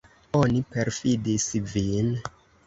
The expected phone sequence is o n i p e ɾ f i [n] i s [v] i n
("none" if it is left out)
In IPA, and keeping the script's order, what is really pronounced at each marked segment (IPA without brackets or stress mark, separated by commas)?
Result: d, v